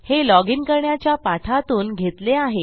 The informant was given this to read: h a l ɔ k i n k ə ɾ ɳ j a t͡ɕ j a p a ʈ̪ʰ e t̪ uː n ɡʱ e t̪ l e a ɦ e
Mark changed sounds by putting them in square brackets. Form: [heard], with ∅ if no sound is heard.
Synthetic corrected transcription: h [e] l ɔ [ɡ] i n k ə ɾ ɳ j a t͡ɕ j a p a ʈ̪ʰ [a] t̪ uː n ɡʱ e t̪ l e a ɦ e